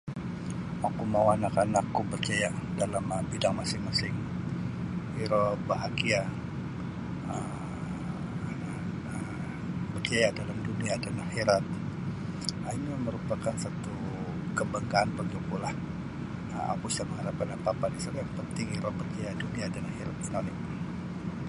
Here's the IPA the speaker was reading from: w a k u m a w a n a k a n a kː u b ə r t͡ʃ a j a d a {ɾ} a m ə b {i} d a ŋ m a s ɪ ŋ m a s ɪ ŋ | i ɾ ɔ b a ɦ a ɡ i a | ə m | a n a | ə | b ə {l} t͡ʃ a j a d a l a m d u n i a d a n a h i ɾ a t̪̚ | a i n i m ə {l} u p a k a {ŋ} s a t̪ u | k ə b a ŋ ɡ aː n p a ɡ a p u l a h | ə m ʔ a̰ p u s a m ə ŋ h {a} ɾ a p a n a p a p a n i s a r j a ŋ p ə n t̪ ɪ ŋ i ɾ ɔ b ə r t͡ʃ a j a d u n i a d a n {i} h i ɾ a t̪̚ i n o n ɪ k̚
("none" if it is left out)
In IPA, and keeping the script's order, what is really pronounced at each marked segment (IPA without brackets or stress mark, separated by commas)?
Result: l, i, r, ɾ, n, a, a